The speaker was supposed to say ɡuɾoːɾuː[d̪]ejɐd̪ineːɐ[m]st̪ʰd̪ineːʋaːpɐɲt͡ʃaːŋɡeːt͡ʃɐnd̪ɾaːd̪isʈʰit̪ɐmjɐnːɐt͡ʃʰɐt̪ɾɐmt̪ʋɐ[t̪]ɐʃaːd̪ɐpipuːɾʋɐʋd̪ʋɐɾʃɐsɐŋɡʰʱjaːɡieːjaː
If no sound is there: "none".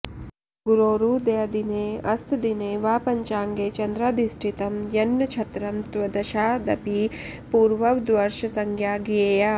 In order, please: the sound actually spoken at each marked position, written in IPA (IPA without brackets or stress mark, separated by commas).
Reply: d̪, none, d̪